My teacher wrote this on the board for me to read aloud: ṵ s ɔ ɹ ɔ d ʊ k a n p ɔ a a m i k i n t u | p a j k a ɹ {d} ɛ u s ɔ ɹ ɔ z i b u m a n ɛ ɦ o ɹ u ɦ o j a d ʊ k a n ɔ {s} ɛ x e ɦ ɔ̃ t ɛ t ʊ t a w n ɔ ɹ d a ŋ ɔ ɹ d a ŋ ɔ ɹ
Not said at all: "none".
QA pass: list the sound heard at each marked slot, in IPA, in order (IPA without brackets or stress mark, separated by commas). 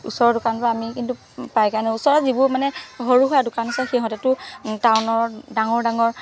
n, s